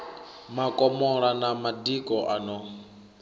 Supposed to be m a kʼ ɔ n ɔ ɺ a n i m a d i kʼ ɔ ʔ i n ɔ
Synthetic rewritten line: m a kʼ ɔ m ɔ ɺ a n a m a d i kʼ ɔ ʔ a n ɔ